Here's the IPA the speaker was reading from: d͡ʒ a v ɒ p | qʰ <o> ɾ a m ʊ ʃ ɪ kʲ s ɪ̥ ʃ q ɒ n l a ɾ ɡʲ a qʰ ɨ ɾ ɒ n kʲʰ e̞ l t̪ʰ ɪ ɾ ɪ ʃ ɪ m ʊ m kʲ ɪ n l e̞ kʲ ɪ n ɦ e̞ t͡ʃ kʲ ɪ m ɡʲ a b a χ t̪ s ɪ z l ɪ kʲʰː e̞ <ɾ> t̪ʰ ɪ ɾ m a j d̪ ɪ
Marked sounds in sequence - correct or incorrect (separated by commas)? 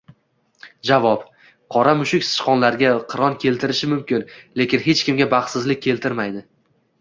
incorrect, incorrect